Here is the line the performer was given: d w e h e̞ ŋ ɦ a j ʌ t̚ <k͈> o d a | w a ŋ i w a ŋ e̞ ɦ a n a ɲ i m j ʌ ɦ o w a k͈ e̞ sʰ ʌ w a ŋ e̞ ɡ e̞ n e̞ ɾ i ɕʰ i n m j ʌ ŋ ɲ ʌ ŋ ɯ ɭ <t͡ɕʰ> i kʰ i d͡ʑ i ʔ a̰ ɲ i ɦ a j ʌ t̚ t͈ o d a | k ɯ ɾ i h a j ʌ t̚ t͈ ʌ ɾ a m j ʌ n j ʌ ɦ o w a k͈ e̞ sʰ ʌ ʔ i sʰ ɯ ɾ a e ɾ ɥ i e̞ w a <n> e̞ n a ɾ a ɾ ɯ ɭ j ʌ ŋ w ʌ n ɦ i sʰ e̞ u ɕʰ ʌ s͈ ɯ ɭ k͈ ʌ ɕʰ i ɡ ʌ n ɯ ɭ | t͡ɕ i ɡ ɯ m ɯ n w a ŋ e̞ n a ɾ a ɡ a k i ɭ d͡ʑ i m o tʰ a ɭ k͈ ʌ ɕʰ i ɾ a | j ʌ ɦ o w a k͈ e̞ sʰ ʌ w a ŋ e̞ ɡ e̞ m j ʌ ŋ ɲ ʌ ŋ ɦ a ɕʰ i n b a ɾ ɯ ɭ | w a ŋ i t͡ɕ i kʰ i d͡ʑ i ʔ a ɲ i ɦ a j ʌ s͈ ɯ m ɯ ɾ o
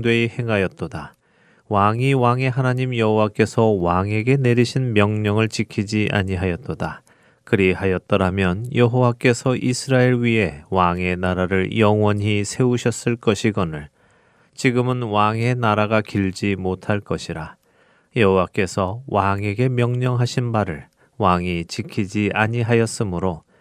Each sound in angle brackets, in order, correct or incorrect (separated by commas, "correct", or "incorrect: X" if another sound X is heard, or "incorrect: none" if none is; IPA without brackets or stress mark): incorrect: t͈, incorrect: t͡ɕ, incorrect: ŋ